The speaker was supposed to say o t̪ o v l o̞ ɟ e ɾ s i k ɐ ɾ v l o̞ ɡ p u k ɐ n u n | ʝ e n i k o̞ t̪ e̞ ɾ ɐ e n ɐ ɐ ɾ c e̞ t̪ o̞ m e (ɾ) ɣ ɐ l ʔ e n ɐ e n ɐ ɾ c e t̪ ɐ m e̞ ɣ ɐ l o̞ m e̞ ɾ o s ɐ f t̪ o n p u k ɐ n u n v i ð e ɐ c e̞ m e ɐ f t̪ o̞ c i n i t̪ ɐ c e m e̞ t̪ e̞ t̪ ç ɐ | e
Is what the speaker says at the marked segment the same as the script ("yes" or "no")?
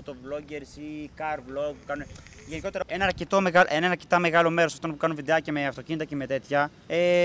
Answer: no